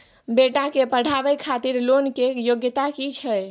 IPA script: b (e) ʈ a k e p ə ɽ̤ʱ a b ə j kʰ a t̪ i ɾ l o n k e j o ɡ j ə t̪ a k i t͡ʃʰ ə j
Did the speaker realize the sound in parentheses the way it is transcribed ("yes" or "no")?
yes